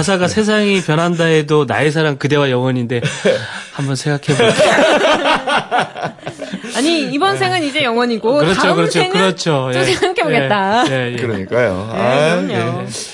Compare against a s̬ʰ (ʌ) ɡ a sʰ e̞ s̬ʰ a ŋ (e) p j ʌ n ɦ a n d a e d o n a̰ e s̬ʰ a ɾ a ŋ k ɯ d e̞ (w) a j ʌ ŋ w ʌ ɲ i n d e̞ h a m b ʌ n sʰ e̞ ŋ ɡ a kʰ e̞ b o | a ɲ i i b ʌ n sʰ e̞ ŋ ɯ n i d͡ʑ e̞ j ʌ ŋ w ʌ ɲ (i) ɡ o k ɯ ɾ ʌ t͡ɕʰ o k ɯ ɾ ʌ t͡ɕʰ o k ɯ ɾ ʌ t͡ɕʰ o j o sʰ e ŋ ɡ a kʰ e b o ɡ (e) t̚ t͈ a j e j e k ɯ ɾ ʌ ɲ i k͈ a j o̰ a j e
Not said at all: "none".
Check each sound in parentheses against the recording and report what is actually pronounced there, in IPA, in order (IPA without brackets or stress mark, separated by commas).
a, i, w, i, e